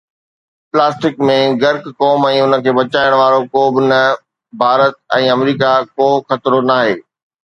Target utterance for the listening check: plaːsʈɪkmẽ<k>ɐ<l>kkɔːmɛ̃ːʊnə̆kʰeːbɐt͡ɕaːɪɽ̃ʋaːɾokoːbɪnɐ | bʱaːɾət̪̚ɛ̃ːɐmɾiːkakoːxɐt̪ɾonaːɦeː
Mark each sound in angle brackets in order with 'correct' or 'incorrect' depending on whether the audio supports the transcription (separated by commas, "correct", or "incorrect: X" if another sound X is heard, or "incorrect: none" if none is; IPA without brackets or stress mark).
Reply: incorrect: ɡ, incorrect: ɾ